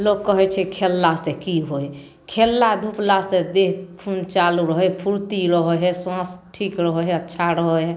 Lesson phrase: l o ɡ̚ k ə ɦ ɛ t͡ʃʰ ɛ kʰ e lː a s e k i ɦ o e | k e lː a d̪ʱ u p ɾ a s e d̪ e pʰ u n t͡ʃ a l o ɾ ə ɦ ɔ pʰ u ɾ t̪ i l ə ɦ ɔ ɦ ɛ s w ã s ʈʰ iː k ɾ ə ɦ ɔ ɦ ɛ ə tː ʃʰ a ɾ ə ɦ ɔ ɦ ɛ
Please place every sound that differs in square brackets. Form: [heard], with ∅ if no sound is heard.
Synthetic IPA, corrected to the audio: l o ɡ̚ k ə ɦ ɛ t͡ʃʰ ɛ kʰ e lː a s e k i ɦ o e | [kʰ] e lː a d̪ʱ u p [l] a s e d̪ e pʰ u n t͡ʃ a l [u] ɾ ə ɦ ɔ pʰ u ɾ t̪ i [ɾ] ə ɦ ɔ ɦ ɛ s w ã s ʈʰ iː k ɾ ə ɦ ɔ ɦ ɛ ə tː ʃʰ a ɾ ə ɦ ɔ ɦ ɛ